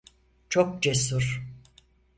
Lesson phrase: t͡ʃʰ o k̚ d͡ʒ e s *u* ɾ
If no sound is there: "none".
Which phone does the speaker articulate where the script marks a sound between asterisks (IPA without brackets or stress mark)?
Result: u